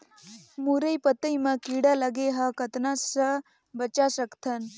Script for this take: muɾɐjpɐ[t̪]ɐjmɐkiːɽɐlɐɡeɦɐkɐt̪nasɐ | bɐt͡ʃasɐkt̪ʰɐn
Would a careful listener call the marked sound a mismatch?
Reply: no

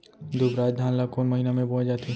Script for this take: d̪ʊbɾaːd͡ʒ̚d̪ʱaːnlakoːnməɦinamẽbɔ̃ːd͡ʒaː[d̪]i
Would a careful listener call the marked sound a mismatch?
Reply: yes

